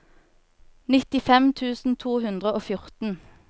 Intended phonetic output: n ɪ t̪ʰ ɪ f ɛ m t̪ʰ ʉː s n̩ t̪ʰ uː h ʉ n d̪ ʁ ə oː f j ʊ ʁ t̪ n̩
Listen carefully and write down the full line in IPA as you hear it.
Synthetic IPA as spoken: n ɪ t̪ ɪ f ɛ m t̪ʰ ʉː s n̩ t̪ʰ uː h ʉ n d̪ ʁ ə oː f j ʊ ʁ t̪ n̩